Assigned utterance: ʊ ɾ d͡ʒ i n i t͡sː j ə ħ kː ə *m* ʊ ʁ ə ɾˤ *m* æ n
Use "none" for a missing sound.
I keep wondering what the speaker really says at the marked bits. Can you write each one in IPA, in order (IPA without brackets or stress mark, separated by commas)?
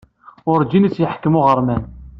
m, m